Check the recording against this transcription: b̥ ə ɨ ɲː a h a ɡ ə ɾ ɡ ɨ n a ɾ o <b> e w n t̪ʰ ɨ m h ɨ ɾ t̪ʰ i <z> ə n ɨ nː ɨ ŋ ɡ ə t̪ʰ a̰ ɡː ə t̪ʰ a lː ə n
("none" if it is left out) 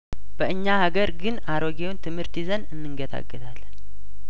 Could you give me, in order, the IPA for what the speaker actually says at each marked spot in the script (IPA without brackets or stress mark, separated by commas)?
ɡ, z